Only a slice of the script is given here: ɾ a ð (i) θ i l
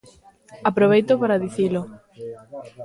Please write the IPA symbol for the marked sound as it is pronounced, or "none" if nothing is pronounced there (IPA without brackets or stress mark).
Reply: i